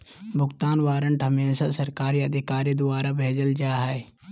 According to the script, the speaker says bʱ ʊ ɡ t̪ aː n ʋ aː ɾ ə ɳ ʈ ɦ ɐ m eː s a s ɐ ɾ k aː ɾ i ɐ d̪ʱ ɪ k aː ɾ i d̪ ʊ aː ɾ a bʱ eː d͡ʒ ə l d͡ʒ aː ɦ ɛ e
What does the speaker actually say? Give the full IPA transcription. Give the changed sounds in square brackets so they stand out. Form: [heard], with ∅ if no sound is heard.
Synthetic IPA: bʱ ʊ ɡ t̪ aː n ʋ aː ɾ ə ɳ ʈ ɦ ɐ m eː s a s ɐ ɾ k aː ɾ i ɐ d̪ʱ ɪ k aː ɾ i d̪ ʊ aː ɾ a bʱ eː d͡ʒ ə l d͡ʒ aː ɦ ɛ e